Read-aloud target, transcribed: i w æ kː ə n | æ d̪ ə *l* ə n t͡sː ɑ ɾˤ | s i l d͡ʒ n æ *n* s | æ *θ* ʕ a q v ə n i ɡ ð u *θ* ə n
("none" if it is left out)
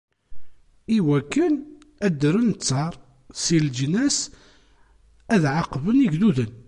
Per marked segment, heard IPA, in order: ɾ, none, ð, ð

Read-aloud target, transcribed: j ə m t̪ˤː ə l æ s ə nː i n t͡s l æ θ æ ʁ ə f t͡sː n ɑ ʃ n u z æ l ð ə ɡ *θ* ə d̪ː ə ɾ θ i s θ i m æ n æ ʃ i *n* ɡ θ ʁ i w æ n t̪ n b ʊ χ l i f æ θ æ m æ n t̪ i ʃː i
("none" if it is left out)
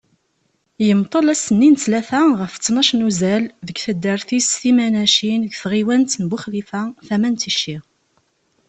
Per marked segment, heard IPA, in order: θ, n

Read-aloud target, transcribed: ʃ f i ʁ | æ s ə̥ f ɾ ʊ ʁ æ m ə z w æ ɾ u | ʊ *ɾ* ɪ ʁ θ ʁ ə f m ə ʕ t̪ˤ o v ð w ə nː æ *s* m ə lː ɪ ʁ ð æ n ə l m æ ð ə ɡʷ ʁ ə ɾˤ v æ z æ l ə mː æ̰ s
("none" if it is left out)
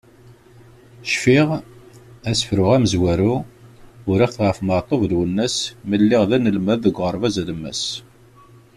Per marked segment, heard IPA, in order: ɾ, s

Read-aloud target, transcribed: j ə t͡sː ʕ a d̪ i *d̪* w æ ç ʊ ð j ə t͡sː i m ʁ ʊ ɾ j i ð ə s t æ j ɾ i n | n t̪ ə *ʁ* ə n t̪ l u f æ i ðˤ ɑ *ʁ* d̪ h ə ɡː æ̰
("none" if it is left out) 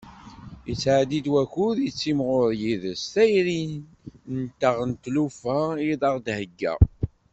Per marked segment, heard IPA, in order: d̪, ʁ, ʁ

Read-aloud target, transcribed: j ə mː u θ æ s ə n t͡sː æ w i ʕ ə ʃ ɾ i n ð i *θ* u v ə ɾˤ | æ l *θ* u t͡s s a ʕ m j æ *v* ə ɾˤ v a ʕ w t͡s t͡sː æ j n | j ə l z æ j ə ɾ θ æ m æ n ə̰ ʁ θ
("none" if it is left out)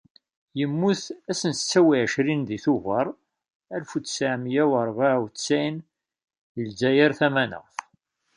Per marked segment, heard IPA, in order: θ, f, w

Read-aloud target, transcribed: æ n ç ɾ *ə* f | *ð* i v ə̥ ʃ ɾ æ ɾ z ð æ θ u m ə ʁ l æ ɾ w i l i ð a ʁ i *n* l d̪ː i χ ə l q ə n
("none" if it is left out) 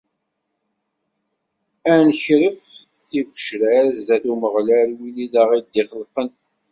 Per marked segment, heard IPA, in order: ə, θ, none

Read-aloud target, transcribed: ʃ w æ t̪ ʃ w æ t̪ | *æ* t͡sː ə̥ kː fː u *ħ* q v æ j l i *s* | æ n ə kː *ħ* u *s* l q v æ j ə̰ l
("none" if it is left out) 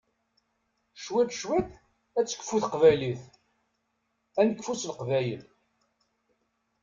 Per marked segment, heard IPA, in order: æ, θ, θ, f, s

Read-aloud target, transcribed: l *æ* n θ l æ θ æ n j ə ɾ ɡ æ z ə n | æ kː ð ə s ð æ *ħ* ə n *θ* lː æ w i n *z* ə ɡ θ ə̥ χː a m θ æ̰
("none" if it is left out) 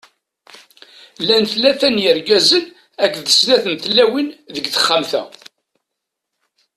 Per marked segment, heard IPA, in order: æ, θ, θ, ð

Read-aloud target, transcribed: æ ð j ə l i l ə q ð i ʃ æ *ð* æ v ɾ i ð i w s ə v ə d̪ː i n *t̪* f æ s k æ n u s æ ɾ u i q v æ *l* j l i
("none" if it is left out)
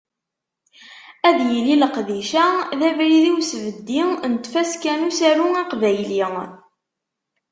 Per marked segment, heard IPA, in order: ð, t̪, none

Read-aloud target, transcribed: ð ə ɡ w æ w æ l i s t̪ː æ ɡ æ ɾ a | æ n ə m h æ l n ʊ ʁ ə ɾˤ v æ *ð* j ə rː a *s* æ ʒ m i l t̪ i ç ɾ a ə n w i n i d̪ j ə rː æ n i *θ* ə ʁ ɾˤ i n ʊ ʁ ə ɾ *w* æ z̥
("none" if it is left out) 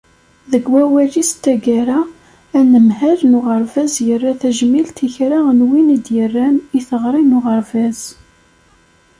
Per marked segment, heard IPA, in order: z, θ, θ, v

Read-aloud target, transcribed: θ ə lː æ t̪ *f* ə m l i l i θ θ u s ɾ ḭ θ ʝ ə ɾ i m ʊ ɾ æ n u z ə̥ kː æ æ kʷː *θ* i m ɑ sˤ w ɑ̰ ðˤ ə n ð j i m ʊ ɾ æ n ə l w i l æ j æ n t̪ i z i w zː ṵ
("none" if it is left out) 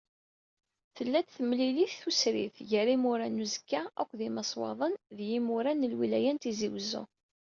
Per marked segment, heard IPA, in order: θ, ð

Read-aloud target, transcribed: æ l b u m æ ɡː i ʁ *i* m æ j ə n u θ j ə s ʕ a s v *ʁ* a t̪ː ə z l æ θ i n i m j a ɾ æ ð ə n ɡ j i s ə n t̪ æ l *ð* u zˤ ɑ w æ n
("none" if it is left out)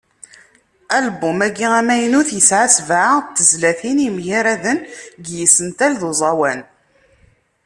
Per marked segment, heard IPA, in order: æ, ʕ, ð

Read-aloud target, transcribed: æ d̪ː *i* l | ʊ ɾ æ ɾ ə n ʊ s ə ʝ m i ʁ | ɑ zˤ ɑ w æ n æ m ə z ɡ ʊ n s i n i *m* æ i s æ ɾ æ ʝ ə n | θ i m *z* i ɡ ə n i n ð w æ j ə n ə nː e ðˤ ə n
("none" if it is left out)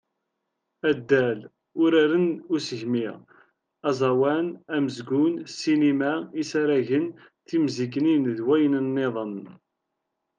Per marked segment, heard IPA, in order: æ, m, z

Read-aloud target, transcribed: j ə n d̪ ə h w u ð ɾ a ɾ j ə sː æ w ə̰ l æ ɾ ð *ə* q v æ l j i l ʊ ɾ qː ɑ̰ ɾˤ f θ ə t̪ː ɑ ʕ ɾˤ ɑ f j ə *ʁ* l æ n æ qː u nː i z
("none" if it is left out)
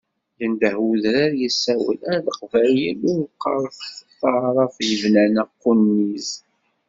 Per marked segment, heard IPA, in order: ə, v

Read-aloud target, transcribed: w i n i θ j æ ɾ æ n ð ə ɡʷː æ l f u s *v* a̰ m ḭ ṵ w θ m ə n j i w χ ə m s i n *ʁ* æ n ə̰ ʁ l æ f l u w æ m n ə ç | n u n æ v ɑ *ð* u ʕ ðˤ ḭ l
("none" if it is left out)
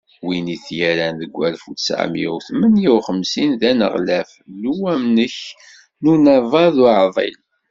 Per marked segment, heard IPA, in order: ʕ, ð, ð

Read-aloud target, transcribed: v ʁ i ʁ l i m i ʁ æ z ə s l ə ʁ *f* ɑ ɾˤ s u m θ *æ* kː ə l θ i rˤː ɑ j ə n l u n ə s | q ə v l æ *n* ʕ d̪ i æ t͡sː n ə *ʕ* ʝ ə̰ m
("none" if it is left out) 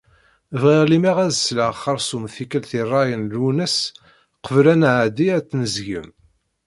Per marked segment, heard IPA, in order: χ, i, n, z

